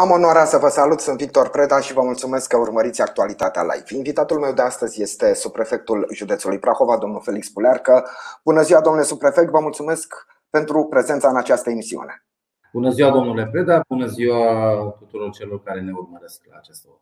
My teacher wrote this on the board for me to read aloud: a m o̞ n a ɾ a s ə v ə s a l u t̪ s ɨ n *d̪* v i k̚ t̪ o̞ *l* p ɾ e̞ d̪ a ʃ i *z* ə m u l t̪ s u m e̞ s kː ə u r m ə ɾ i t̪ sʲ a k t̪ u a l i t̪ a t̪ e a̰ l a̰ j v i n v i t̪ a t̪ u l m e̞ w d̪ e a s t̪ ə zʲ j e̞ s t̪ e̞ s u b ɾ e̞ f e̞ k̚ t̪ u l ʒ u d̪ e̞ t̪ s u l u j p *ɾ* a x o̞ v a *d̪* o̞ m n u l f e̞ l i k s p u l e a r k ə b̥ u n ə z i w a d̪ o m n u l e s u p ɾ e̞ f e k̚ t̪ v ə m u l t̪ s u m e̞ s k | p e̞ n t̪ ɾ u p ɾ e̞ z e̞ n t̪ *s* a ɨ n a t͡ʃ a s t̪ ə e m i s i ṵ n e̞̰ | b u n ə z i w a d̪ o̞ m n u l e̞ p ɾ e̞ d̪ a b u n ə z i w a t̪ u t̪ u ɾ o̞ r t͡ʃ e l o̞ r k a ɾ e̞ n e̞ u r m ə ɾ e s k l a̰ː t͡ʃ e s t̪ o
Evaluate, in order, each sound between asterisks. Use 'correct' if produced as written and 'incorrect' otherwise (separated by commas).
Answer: incorrect, incorrect, incorrect, correct, correct, correct